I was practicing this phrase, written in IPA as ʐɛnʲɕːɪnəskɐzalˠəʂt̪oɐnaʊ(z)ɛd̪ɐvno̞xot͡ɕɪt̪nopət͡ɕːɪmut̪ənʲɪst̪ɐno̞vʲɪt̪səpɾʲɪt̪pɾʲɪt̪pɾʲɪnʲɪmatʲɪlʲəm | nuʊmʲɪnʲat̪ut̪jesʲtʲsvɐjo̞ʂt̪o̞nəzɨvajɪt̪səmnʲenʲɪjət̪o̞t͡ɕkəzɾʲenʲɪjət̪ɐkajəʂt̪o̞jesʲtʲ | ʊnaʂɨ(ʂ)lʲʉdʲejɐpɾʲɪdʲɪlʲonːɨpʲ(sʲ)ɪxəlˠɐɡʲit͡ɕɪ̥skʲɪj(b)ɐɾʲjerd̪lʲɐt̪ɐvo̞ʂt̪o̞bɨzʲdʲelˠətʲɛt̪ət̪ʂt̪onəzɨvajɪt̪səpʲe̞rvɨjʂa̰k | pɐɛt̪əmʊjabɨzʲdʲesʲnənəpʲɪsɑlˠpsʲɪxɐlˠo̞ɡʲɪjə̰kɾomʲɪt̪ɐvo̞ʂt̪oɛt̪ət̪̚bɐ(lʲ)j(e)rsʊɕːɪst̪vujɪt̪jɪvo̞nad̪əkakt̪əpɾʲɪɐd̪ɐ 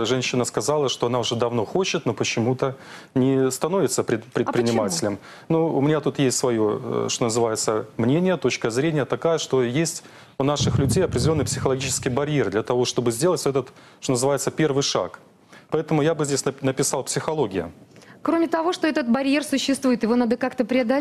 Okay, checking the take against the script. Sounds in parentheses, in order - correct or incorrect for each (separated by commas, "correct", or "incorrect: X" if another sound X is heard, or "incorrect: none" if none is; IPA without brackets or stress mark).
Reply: incorrect: ʐ, incorrect: x, correct, correct, incorrect: ɾʲ, correct